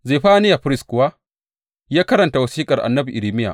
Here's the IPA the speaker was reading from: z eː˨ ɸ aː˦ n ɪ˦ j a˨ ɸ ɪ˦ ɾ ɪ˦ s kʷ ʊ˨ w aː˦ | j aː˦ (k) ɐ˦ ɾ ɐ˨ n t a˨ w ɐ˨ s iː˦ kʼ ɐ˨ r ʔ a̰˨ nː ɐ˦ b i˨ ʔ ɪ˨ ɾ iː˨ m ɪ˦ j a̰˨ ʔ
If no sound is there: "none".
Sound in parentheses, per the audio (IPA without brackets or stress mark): k